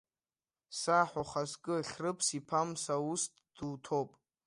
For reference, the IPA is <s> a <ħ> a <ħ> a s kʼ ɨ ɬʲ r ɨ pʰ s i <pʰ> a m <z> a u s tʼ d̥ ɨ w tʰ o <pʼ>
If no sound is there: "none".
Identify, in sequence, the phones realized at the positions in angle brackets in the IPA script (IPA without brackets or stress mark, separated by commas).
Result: s, ħ, χ, pʰ, s, pʼ